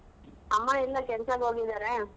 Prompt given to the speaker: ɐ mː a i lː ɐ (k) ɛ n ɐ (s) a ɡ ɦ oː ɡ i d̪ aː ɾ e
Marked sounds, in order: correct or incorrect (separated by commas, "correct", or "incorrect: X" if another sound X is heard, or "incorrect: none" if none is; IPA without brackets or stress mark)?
correct, correct